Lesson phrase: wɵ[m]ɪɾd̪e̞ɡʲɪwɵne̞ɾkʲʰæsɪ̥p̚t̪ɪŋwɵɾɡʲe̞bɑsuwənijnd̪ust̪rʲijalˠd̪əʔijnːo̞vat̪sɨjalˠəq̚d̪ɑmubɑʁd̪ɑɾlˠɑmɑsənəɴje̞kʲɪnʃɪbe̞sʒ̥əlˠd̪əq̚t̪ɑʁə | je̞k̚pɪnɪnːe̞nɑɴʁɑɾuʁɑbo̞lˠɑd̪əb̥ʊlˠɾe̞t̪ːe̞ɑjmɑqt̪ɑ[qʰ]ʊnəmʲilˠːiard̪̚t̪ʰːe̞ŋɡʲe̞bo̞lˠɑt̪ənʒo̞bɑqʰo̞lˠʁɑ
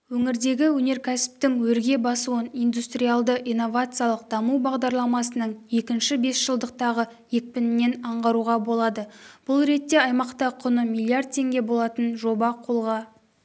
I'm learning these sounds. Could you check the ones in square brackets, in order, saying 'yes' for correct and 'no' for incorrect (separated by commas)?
no, yes